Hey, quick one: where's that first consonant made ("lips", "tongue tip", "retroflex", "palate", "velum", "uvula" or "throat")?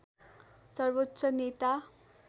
tongue tip